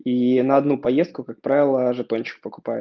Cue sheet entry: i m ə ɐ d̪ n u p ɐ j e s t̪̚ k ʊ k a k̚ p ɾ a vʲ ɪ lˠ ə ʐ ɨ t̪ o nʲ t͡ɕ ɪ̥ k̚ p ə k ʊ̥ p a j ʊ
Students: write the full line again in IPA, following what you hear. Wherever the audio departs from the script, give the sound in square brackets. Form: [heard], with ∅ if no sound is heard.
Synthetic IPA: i [n] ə ɐ d̪ n u p ɐ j e s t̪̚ k ʊ k a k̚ p ɾ a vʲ ɪ lˠ ə ʐ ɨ t̪ o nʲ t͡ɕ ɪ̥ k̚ p ə k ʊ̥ p a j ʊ

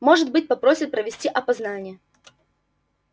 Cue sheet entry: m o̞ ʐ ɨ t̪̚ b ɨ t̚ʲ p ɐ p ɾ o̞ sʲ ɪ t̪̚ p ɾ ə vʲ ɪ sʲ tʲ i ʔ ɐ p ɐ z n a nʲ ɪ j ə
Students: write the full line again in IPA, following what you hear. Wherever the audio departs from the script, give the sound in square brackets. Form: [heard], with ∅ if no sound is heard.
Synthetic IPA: m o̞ ʐ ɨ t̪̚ b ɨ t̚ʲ p ɐ p ɾ o̞ sʲ ɪ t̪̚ p ɾ ə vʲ ɪ sʲ tʲ i ʔ ɐ p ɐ z n a nʲ ɪ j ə

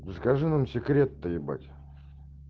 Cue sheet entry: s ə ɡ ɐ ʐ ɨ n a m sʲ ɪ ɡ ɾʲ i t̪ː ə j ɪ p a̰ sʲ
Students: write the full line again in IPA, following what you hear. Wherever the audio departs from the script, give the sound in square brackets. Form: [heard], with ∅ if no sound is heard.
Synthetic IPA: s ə [k] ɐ ʐ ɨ n a m sʲ ɪ [k] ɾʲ [e] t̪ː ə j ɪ [b] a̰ [tʲ]

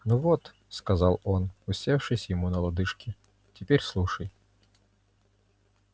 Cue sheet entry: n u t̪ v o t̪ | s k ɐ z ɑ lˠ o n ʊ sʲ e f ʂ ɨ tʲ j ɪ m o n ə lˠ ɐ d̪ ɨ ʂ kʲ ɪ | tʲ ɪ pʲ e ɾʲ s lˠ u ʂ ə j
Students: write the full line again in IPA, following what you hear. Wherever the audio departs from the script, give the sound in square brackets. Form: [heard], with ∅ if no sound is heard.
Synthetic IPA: n u [∅] v o t̪ | s k ɐ z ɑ lˠ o n ʊ sʲ e f ʂ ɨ [sʲ] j ɪ m [u] n ə lˠ ɐ d̪ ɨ ʂ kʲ ɪ | tʲ ɪ pʲ e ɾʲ s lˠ u ʂ ə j

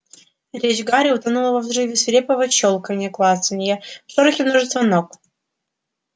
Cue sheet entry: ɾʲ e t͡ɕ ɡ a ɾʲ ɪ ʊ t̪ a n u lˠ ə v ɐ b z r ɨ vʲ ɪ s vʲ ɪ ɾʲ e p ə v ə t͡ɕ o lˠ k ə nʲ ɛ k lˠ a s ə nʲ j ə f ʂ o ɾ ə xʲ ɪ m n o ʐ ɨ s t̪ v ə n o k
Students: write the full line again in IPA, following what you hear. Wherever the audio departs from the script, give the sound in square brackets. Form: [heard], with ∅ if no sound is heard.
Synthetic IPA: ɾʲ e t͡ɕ ɡ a ɾʲ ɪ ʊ t̪ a n u lˠ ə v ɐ [v] z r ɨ vʲ ɪ s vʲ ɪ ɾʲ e p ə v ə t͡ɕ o lˠ k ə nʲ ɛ k lˠ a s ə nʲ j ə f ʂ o ɾ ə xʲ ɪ m n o ʐ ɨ s t̪ v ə n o k

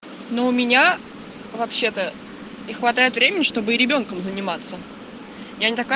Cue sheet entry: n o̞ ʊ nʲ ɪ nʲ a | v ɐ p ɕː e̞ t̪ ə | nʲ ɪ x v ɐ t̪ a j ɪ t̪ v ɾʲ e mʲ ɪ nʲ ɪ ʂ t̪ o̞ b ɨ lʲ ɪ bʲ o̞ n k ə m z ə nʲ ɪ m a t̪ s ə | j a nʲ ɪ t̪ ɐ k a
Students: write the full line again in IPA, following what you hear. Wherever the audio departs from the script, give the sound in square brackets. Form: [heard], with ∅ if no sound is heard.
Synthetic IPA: n o̞ ʊ [mʲ] ɪ nʲ a | v ɐ p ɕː e̞ t̪ ə | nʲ ɪ x v ɐ t̪ a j ɪ t̪ v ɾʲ e mʲ ɪ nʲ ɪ ʂ t̪ o̞ b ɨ [ɾʲ] ɪ bʲ o̞ n k ə m z ə nʲ ɪ m a t̪ s ə | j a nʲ ɪ t̪ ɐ k a

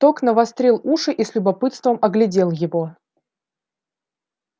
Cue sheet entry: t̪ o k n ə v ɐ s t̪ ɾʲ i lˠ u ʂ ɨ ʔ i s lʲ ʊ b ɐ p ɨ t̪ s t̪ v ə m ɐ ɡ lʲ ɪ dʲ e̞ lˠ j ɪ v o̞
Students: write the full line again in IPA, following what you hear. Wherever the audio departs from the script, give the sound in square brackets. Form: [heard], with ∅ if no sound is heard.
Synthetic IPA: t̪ o k n ə v ɐ s t̪ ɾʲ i lˠ u ʂ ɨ ʔ i s lʲ ʊ b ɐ p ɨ t̪ s t̪ v ə m ɐ ɡ lʲ ɪ dʲ e̞ lˠ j ɪ v o̞

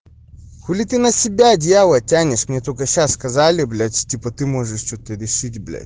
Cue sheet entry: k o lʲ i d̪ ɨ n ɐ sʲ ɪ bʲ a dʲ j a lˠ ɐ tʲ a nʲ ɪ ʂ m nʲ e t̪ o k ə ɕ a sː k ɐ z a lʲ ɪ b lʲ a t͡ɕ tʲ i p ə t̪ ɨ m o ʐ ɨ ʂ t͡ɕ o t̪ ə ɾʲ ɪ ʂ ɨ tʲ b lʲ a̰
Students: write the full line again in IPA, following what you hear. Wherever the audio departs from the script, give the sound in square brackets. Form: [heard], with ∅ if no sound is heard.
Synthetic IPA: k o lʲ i [t̪] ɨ n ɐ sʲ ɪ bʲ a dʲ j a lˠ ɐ tʲ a nʲ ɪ ʂ m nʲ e t̪ o k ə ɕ a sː k ɐ z a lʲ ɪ b lʲ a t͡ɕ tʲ i p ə t̪ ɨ m o ʐ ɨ ʂ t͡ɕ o t̪ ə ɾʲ ɪ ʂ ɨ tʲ b lʲ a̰

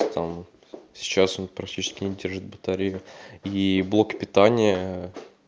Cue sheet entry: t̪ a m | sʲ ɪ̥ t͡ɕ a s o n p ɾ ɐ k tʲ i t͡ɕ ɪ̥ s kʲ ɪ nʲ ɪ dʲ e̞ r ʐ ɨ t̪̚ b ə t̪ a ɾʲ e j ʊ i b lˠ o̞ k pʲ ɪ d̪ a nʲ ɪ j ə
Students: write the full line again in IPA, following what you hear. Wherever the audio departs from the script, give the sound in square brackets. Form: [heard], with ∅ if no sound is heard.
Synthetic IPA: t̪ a m | sʲ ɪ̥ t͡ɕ a s o n p ɾ ɐ k tʲ i t͡ɕ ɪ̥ s kʲ ɪ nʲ ɪ dʲ e̞ r ʐ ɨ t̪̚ b ə t̪ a ɾʲ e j ʊ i b lˠ o̞ k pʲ ɪ [t̪] a nʲ ɪ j ə

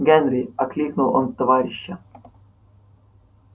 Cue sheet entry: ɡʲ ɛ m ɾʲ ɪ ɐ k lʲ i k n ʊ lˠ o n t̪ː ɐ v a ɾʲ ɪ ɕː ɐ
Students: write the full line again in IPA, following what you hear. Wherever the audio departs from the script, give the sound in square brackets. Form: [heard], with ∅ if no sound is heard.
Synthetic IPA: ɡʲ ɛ [n] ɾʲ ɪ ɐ k lʲ i k n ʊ lˠ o n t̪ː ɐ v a ɾʲ ɪ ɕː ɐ

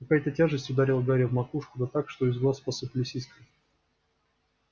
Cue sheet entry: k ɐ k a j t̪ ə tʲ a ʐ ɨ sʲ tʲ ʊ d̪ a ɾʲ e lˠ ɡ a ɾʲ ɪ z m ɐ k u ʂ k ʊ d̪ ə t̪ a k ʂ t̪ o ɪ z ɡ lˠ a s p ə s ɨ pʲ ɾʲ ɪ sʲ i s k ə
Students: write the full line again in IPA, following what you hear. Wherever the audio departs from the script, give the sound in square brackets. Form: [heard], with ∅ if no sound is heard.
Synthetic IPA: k ɐ k a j t̪ ə tʲ a ʐ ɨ sʲ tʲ ʊ d̪ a ɾʲ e lˠ ɡ a ɾʲ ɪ [v] m ɐ k u ʂ k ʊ d̪ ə t̪ a k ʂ t̪ o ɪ z ɡ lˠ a s p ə s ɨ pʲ [lʲ] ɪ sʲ i s k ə

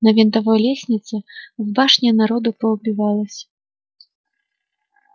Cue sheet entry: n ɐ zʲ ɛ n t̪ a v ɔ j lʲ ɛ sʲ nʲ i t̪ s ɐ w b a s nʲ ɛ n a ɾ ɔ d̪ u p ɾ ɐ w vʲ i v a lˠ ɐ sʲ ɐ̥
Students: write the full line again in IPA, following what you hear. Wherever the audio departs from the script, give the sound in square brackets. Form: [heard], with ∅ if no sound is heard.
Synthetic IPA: n ɐ [vʲ] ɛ n t̪ a v ɔ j lʲ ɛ sʲ nʲ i t̪ s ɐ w b a [ʂ] nʲ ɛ n a ɾ ɔ d̪ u p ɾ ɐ w [bʲ] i v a lˠ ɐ sʲ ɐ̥

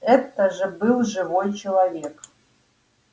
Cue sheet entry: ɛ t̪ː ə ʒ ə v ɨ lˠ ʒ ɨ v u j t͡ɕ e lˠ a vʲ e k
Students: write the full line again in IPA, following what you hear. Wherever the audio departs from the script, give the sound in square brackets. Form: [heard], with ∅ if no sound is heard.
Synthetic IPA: ɛ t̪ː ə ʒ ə [b] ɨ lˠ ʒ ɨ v [o] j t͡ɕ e lˠ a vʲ e k

